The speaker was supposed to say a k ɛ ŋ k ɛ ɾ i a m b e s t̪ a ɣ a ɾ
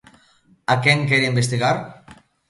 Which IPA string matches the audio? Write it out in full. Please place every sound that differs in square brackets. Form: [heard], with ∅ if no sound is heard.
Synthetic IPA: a k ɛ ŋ k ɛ ɾ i [i] m b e s t̪ [i] ɣ a ɾ